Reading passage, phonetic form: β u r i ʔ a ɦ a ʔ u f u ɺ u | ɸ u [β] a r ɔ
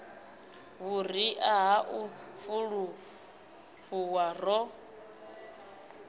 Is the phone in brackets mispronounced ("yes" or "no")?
yes